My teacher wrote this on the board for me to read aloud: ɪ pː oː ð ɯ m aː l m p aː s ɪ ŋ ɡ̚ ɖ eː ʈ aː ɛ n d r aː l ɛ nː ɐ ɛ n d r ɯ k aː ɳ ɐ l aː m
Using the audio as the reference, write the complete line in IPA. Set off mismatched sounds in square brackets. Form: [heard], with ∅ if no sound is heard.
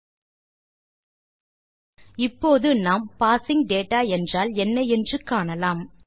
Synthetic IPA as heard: ɪ pː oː ð ɯ [n] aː [∅] m p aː s ɪ ŋ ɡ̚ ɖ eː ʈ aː ɛ n d r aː l ɛ nː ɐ ɛ n d r ɯ k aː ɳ ɐ l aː m